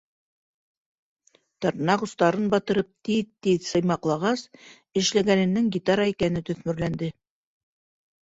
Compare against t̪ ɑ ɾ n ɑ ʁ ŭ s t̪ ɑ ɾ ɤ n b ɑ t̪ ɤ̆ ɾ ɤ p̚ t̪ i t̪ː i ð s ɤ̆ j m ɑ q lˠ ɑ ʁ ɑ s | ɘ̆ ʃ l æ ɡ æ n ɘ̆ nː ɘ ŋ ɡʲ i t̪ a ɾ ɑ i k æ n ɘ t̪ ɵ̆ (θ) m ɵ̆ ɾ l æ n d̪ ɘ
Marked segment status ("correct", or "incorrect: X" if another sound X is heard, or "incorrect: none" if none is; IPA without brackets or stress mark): correct